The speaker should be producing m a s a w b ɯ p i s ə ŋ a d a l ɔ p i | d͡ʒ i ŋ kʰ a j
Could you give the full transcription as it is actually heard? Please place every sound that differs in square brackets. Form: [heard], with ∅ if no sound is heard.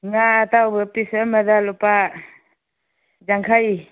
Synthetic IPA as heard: [ŋ] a [t] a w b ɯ p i s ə [m] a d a l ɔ p [a] | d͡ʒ [a] ŋ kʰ a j